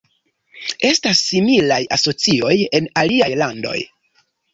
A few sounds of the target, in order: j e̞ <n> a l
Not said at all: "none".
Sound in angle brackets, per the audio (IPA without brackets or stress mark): n